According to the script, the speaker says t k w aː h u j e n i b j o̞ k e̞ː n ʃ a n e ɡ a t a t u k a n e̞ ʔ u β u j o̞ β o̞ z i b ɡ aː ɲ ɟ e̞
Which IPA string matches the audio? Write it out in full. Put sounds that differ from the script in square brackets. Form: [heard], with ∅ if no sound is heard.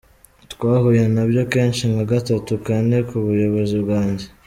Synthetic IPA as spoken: t k w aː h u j e n [a] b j o̞ k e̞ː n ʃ [i] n [a] ɡ a t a t u k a n e̞ [k] u β u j o̞ β o̞ z i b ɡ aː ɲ ɟ e̞